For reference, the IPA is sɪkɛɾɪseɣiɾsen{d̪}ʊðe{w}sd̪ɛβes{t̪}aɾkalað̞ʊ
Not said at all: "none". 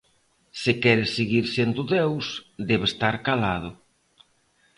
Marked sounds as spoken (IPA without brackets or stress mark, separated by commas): d̪, w, t̪